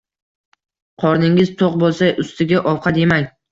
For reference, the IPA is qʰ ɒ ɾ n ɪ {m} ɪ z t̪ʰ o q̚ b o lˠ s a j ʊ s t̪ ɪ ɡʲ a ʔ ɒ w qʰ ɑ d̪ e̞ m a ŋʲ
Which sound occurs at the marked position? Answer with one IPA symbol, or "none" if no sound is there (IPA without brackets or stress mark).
ŋ